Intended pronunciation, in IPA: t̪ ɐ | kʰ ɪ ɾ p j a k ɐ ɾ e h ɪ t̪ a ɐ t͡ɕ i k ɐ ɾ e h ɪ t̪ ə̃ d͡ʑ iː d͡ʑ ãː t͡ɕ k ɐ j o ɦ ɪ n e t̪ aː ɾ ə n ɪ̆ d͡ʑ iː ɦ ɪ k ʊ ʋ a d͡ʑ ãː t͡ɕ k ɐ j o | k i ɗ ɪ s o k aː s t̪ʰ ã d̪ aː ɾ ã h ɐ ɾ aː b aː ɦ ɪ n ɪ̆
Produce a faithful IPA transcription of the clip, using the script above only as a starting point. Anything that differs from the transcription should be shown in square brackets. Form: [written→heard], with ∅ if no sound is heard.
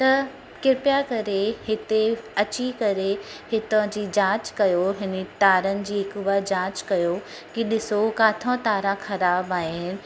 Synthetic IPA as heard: t̪ ɐ | [kʰ→k] ɪ ɾ p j a k ɐ ɾ e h ɪ t̪ [a→e] ɐ t͡ɕ i k ɐ ɾ e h ɪ t̪ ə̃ d͡ʑ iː d͡ʑ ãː t͡ɕ k ɐ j o ɦ ɪ n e t̪ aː ɾ ə n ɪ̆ d͡ʑ iː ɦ ɪ k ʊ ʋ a d͡ʑ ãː t͡ɕ k ɐ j o | k i ɗ ɪ s o k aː [s→∅] t̪ʰ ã [d̪→t̪] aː ɾ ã [h→x] ɐ ɾ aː b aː ɦ ɪ n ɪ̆